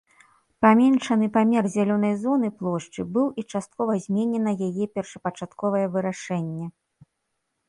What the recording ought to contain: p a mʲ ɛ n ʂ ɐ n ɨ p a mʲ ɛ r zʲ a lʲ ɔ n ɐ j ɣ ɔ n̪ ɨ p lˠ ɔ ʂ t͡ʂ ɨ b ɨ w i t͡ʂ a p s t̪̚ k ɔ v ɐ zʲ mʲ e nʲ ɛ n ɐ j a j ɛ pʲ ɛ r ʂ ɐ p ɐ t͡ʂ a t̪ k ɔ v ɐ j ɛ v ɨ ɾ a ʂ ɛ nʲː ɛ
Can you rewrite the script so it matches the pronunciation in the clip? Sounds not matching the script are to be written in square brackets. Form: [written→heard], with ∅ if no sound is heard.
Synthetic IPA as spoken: p a mʲ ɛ n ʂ ɐ n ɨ p a mʲ ɛ r zʲ a lʲ ɔ n ɐ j [ɣ→z] ɔ n̪ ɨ p lˠ ɔ ʂ t͡ʂ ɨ b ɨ w i t͡ʂ a [p→∅] s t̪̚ k ɔ v ɐ zʲ mʲ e nʲ ɛ n ɐ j a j ɛ pʲ ɛ r ʂ ɐ p ɐ t͡ʂ a t̪ k ɔ v ɐ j ɛ v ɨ ɾ a ʂ ɛ nʲː ɛ